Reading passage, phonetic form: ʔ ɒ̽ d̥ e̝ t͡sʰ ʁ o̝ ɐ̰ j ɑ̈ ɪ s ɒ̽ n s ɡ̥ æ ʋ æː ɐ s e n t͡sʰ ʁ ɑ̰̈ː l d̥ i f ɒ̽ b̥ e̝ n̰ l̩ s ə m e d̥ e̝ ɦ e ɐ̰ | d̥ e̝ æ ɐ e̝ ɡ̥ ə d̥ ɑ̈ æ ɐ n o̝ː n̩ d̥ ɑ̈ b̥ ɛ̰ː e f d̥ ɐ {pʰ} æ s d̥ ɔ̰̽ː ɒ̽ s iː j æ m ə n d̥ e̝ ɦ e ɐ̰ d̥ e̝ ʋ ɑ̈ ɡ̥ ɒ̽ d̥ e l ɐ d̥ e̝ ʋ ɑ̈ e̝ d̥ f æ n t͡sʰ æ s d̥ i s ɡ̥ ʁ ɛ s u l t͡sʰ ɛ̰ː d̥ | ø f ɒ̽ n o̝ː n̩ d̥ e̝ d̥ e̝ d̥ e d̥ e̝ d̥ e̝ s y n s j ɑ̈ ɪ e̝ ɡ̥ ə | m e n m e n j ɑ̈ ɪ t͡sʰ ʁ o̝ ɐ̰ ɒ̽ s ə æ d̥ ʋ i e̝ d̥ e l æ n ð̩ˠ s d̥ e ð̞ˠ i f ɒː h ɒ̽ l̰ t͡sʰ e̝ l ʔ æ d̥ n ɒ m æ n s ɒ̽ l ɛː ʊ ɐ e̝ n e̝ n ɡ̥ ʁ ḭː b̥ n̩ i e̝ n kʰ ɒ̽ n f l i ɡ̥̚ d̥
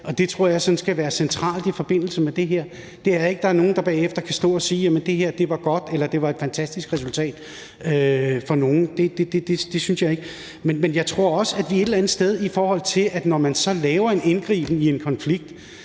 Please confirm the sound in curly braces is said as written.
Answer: no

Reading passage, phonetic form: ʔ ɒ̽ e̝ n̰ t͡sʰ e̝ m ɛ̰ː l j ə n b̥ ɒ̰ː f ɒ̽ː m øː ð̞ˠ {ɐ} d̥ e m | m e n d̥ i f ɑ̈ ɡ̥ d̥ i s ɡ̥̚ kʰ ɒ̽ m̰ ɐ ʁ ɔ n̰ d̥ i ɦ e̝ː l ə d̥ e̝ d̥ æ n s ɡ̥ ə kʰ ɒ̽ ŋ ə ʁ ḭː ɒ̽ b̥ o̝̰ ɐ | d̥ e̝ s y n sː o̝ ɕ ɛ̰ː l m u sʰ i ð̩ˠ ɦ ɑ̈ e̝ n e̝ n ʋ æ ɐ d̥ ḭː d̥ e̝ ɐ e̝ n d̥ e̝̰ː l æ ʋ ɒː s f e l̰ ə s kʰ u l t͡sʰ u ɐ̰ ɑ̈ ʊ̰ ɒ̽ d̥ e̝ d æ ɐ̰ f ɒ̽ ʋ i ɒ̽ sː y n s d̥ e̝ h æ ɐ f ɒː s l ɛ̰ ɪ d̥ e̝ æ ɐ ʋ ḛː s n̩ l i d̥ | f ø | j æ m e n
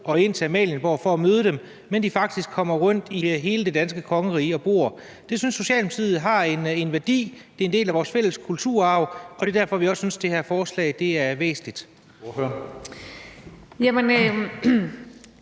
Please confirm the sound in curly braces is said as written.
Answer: no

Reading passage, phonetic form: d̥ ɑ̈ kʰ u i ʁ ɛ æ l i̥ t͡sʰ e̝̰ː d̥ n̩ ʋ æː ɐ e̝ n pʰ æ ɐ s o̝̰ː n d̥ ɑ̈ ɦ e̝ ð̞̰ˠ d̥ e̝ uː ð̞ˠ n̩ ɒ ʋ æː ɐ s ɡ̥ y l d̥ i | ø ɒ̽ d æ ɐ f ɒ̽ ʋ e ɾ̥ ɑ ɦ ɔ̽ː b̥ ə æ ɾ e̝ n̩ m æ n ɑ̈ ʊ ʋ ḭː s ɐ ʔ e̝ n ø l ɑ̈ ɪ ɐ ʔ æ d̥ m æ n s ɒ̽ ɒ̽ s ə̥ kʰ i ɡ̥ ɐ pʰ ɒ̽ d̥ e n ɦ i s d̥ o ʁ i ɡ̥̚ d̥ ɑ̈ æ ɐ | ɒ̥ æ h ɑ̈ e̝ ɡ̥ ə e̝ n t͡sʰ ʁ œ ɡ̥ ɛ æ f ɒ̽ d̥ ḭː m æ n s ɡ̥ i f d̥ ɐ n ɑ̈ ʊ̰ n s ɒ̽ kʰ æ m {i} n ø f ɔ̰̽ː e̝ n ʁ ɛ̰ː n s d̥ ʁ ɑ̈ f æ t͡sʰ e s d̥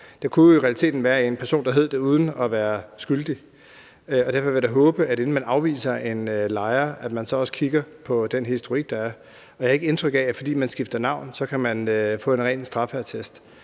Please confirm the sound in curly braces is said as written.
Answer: no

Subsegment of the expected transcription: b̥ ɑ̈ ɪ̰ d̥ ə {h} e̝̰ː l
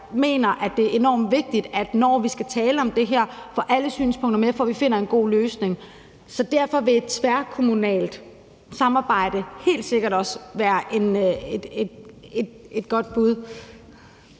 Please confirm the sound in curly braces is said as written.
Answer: yes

